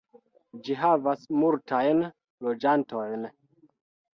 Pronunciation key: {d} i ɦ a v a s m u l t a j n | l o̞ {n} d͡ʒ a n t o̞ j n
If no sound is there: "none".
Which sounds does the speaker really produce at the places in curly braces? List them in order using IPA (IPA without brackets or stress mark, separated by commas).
d͡ʒ, none